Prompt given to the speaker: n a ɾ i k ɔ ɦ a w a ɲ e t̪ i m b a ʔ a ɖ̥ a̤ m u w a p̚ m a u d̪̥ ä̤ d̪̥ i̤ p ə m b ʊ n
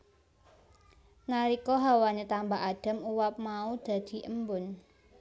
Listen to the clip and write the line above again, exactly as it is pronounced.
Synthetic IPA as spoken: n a ɾ i k ɔ ɦ a w a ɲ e t̪ a m b a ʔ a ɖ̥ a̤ m u w a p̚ m a u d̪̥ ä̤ d̪̥ i̤ ʔ ə m b ʊ n

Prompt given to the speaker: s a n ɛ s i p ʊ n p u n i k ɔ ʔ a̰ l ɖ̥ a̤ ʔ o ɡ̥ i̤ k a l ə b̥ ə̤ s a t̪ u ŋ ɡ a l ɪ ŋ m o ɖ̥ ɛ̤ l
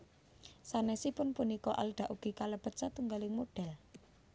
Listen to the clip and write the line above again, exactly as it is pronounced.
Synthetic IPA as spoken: s a n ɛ s i p ʊ n p u n i k ɔ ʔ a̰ l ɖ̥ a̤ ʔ u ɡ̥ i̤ k a l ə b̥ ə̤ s a t̪ u ŋ ɡ a l ɪ ŋ m o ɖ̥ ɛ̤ l

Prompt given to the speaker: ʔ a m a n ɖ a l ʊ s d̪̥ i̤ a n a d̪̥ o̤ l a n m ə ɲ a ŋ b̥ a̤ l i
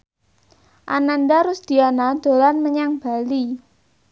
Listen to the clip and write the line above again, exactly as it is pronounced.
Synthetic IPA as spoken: ʔ a n a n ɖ a ɾ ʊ s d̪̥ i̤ a n a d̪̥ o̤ l a n m ə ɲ a ŋ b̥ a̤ l i

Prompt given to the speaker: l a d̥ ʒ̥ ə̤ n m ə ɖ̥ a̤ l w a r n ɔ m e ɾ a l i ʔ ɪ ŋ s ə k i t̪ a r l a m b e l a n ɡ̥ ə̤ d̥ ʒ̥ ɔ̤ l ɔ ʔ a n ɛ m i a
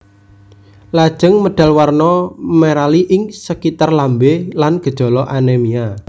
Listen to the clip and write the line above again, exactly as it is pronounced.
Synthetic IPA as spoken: l a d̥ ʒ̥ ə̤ ŋ m ə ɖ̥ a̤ l w a r n ɔ m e ɾ a l i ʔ ɪ ŋ s ə k i t̪ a r l a m b e l a n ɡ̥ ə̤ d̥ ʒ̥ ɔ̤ l ɔ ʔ a n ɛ m i a

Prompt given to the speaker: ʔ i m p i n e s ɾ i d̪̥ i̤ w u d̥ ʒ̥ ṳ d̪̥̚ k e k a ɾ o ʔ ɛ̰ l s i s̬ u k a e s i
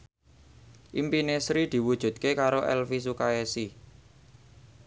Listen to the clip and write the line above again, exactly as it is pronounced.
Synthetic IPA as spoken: ʔ i m p i n e s ɾ i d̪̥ i̤ w u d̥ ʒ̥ ṳ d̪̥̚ k e k a ɾ o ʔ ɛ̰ l f i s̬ u k a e s i

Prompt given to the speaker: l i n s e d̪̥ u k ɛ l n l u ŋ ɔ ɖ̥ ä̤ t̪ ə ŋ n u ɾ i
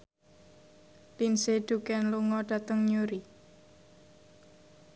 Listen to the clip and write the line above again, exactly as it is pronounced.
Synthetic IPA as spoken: l i n s e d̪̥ u k ɛ n l u ŋ ɔ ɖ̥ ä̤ t̪ ə ŋ ɲ u ɾ i

